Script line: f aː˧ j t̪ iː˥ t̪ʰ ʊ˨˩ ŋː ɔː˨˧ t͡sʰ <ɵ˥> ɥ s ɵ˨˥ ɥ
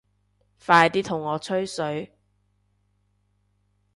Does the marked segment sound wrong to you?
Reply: no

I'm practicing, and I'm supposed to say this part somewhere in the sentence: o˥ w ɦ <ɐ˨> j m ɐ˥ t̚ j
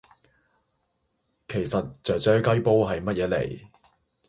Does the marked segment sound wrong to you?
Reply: no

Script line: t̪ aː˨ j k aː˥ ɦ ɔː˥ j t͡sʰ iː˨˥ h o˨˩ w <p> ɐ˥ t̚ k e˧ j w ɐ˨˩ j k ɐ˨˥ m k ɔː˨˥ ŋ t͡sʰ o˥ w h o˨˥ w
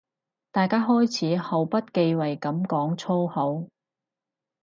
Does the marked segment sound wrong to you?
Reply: no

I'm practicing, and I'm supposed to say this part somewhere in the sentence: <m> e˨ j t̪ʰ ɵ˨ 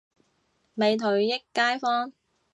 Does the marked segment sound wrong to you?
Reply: no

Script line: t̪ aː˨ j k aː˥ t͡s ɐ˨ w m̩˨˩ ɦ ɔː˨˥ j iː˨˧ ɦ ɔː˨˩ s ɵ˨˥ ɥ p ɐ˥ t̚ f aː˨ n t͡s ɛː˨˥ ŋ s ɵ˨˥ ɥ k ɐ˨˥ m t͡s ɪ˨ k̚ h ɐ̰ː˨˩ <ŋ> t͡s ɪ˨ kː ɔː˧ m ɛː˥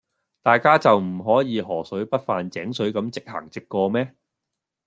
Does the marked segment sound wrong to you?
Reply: no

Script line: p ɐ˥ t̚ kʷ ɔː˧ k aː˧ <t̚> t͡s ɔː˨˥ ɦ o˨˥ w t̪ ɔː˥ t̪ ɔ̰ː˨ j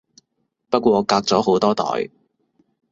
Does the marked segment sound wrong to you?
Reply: yes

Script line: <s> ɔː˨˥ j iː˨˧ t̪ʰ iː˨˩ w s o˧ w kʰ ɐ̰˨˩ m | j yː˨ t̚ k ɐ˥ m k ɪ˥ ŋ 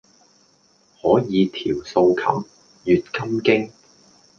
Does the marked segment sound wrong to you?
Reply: yes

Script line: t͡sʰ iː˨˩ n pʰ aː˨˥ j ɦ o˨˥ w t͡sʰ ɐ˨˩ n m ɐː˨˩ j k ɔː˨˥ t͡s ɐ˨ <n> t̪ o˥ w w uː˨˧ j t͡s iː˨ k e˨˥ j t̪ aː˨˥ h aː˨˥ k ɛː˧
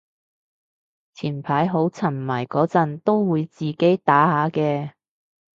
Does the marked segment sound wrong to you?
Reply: no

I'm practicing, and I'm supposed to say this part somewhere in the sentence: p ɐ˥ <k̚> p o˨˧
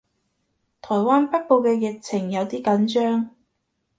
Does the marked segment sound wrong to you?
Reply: yes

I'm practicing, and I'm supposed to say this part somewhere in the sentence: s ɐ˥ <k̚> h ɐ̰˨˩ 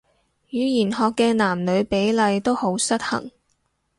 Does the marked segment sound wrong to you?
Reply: yes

